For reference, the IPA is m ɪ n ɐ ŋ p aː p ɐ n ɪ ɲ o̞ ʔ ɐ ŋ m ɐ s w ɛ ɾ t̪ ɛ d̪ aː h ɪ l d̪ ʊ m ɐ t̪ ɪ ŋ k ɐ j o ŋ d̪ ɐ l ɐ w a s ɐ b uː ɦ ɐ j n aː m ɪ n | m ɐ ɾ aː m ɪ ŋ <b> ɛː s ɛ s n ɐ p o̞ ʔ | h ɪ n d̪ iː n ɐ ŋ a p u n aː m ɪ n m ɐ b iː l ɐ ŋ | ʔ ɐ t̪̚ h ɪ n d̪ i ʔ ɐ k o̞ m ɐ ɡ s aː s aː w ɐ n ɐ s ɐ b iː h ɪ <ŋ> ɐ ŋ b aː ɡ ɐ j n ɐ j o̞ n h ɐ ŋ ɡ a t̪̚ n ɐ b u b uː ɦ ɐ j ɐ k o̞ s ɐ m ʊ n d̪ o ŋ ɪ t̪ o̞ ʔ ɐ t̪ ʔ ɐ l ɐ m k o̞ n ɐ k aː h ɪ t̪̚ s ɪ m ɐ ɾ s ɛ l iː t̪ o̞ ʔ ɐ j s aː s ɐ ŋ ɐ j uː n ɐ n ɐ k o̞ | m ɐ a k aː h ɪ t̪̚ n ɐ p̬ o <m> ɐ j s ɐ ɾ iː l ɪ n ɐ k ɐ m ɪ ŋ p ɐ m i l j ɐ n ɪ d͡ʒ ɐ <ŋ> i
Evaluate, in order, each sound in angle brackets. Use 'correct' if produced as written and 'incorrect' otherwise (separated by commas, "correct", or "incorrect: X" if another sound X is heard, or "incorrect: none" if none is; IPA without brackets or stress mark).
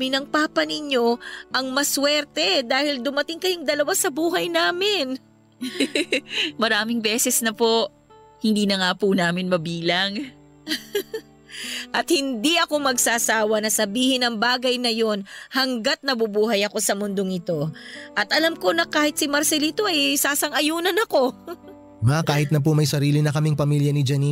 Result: correct, incorrect: n, correct, incorrect: n